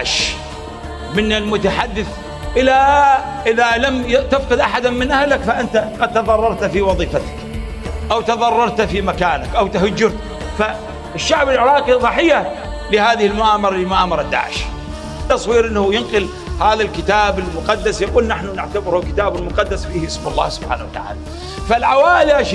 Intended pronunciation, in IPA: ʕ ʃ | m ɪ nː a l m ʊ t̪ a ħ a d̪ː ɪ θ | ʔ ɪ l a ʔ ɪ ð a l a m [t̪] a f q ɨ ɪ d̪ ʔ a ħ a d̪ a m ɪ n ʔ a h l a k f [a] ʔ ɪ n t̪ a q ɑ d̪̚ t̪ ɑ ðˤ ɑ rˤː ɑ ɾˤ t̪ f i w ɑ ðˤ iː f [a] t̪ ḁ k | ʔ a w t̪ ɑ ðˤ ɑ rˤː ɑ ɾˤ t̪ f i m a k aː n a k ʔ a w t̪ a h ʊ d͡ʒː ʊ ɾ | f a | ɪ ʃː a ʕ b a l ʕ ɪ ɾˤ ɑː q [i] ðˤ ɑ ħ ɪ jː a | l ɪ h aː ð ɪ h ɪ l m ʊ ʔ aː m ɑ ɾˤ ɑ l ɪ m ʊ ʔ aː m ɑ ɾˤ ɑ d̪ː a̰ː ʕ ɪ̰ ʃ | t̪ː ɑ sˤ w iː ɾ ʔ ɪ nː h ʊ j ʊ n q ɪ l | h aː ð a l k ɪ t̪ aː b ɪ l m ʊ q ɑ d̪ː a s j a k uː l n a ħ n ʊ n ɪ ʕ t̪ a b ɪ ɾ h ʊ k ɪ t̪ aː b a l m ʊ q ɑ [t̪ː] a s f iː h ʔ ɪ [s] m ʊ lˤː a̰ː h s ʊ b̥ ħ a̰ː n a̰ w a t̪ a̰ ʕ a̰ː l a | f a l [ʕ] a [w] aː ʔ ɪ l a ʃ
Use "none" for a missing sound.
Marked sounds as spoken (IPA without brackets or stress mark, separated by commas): t̪, a, a, i, d̪ː, s, ʕ, w